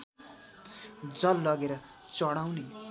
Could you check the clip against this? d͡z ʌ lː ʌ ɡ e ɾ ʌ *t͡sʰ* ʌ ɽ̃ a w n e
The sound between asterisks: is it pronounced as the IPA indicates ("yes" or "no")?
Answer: no